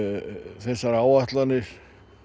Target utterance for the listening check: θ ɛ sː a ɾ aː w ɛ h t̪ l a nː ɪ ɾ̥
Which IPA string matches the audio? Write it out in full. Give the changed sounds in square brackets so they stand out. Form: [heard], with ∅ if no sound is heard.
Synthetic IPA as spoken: θ ɛ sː a ɾ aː w [a] h t̪ l a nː ɪ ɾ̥